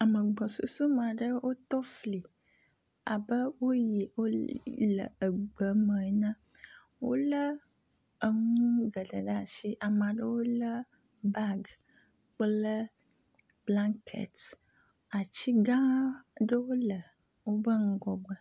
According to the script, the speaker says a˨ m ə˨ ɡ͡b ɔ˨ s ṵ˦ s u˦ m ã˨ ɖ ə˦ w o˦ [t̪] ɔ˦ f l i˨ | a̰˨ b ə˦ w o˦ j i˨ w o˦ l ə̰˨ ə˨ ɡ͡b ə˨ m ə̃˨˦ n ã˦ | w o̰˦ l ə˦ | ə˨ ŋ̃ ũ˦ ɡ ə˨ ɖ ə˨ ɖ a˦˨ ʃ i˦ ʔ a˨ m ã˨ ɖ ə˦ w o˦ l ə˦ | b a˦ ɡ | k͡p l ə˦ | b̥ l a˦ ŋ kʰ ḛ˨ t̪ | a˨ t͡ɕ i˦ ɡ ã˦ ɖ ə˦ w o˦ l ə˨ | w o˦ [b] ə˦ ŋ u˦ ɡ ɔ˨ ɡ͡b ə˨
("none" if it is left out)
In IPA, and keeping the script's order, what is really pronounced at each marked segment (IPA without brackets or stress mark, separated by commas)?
t̪, b